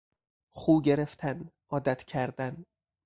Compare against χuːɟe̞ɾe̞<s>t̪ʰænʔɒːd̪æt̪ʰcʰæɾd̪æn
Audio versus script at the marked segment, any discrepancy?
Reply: yes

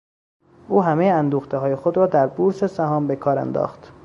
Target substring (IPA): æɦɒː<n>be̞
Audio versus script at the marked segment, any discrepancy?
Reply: yes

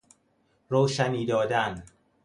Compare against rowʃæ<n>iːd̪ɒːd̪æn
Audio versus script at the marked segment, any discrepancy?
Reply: no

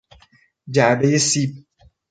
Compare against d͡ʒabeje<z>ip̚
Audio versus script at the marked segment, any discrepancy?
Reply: yes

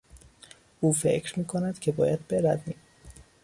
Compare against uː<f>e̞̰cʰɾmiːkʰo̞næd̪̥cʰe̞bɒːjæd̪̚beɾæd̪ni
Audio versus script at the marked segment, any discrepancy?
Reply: no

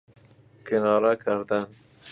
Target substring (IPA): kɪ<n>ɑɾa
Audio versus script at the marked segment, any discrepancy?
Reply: no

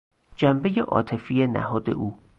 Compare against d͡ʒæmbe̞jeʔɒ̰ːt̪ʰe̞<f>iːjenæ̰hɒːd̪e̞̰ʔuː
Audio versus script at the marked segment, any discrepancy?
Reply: no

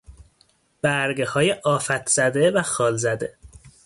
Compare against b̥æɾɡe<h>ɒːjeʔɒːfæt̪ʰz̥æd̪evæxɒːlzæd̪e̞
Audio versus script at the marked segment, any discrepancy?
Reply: no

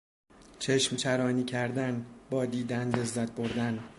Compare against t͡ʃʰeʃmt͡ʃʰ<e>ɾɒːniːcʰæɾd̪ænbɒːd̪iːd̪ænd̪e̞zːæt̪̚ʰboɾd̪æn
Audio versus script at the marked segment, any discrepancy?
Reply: yes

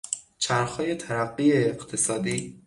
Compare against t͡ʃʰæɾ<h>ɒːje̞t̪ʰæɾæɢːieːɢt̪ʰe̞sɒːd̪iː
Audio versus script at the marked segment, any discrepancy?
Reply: yes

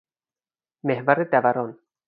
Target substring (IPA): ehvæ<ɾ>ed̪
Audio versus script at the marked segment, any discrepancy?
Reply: no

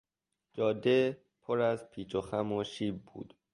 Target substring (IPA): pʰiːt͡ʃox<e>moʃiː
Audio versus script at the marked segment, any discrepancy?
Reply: yes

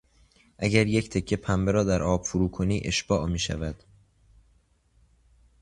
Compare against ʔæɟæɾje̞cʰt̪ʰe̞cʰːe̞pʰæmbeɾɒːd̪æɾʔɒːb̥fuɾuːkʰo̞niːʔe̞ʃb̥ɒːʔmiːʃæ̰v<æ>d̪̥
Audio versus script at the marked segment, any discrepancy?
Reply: no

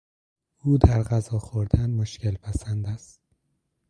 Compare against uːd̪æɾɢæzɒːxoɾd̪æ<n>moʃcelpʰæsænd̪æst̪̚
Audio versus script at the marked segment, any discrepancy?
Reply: no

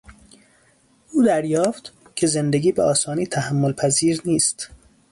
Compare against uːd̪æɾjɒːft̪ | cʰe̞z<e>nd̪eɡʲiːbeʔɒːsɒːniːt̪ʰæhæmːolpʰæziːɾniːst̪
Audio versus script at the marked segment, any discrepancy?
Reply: no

